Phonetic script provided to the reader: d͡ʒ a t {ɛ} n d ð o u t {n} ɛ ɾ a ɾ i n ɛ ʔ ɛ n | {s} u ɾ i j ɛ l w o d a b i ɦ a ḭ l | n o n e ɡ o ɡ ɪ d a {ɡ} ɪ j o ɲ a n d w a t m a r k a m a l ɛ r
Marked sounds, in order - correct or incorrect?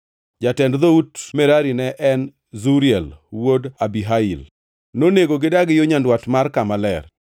correct, incorrect: m, incorrect: z, correct

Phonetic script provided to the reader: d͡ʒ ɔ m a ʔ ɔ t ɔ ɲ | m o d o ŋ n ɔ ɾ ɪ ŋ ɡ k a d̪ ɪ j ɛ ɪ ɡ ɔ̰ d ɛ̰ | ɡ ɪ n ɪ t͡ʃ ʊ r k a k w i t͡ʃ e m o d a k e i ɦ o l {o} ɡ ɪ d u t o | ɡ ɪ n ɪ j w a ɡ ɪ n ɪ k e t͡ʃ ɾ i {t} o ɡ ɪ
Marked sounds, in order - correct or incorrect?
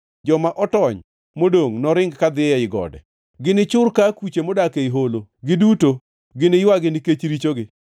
correct, incorrect: t͡ʃ

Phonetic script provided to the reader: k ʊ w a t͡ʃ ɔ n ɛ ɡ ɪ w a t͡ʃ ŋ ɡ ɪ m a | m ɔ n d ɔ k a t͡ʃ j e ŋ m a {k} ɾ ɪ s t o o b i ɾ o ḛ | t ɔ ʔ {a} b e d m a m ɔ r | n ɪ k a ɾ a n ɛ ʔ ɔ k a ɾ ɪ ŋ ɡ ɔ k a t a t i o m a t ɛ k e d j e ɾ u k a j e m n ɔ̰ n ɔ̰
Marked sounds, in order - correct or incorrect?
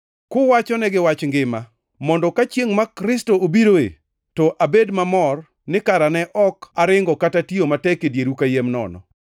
correct, correct

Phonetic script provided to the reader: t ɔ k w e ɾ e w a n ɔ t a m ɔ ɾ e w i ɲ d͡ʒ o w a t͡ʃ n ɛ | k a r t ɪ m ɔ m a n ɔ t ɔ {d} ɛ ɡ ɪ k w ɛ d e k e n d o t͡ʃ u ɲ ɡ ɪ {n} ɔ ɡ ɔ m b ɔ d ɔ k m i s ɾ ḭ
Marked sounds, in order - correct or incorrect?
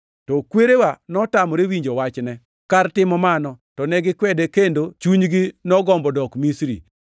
incorrect: n, correct

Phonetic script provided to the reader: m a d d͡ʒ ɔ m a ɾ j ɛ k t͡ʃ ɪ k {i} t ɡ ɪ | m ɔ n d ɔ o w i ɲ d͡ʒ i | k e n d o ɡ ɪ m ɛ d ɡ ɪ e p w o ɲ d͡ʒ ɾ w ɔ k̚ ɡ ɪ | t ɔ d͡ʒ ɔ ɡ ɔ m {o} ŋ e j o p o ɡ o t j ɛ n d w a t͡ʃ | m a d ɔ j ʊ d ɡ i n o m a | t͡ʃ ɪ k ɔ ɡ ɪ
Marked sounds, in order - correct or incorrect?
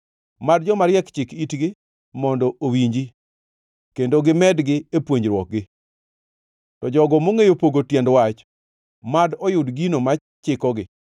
correct, correct

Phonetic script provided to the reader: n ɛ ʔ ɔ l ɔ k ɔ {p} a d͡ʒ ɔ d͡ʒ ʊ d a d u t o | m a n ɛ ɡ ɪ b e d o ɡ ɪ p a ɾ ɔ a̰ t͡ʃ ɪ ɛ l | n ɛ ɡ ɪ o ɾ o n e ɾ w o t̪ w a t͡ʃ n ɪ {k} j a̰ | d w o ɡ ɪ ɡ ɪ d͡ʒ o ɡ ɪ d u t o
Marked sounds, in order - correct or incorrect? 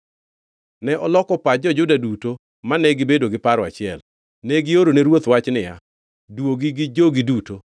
correct, incorrect: none

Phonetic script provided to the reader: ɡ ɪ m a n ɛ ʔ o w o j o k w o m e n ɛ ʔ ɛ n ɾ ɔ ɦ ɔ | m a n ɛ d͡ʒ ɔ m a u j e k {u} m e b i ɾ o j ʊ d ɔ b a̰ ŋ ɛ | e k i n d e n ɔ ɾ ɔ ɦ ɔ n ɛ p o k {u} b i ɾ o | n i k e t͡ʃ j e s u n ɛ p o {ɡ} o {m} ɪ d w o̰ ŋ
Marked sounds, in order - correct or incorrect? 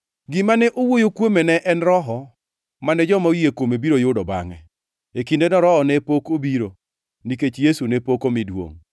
incorrect: o, incorrect: o, incorrect: k, correct

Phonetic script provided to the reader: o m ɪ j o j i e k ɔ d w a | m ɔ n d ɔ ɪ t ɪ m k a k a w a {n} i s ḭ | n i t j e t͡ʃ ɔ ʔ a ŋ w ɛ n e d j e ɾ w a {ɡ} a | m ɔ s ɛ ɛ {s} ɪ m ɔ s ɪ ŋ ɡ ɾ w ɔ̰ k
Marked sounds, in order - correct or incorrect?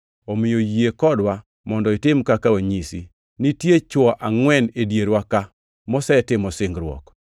incorrect: ɲ, incorrect: k, incorrect: t

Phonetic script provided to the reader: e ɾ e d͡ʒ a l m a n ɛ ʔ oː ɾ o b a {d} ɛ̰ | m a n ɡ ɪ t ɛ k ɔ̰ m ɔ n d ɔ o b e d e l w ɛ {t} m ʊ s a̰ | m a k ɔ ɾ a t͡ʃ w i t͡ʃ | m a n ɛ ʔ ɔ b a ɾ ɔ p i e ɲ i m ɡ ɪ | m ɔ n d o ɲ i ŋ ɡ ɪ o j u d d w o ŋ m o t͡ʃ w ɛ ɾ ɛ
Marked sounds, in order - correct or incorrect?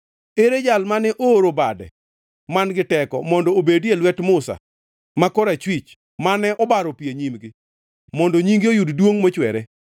correct, correct

